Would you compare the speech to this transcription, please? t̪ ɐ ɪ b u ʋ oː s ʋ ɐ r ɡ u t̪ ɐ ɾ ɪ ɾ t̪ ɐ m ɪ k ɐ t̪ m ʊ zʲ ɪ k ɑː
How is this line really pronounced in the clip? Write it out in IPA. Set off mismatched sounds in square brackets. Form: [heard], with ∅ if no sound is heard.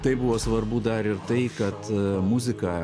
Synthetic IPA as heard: t̪ ɐ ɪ b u ʋ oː s ʋ ɐ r [b] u [d̪] ɐ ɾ ɪ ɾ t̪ ɐ [∅] ɪ k ɐ t̪ m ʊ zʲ ɪ k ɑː